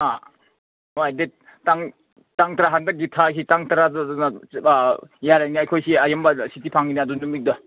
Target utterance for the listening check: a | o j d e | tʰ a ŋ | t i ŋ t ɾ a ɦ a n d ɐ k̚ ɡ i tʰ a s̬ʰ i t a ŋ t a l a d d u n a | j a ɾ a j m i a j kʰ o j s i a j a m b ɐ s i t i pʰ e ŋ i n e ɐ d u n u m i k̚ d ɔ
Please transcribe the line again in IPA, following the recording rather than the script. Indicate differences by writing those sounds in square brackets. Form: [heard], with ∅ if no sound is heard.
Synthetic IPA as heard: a | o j d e | [t] a ŋ | t [a] ŋ t ɾ a ɦ a n d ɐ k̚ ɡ i tʰ a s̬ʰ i t a ŋ t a [ɾ] a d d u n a | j a ɾ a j [n] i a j kʰ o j s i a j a m b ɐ s i t i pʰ [a] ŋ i n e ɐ d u n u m i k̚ d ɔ